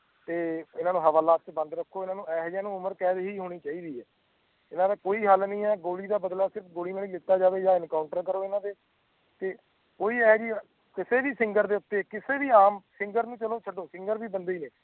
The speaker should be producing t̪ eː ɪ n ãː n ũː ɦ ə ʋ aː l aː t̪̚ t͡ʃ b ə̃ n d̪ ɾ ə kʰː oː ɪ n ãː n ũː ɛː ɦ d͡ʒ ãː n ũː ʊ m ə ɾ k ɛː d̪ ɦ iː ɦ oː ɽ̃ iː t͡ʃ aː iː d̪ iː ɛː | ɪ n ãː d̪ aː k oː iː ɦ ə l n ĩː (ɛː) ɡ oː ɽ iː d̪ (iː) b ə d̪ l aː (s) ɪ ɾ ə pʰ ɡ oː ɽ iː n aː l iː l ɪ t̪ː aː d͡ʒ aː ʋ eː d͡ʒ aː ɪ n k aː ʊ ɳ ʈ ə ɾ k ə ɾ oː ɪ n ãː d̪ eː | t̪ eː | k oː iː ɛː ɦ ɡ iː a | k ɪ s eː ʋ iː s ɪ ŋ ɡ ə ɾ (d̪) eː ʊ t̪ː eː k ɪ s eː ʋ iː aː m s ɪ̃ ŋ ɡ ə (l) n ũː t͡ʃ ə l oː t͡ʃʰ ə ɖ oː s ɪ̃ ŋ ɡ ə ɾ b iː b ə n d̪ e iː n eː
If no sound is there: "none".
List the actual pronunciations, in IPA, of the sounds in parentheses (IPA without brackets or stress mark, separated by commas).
ɛː, aː, s, d̪, ɾ